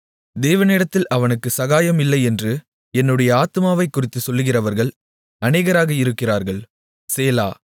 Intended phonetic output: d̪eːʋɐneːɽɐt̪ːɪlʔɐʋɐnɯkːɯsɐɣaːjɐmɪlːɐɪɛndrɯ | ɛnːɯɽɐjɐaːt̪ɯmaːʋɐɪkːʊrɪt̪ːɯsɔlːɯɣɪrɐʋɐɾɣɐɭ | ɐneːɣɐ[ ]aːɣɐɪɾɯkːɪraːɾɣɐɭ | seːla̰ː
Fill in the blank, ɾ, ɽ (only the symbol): ɾ